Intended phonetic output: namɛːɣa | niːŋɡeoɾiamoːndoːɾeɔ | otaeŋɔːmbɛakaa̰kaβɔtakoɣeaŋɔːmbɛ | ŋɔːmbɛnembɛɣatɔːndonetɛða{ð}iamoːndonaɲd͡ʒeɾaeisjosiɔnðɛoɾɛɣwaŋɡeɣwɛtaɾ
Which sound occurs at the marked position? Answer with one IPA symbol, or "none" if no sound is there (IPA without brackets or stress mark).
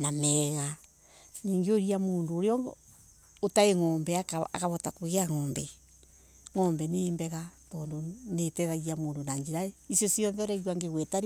ɣ